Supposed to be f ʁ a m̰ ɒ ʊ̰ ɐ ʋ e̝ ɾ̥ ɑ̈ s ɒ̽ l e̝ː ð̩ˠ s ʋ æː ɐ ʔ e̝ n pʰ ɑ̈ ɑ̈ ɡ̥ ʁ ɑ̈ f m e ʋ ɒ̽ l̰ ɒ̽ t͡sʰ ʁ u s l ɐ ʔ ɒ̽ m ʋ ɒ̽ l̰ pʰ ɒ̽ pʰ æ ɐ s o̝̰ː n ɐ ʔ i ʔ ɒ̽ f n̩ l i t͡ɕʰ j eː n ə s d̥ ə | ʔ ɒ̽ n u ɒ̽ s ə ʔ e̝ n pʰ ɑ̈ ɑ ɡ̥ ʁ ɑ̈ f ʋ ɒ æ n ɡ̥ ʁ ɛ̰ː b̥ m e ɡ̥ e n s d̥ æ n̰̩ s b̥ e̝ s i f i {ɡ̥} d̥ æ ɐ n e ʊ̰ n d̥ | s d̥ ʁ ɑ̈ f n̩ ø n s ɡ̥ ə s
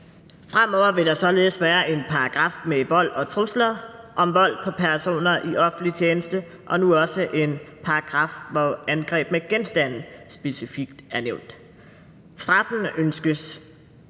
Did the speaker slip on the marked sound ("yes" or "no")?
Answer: no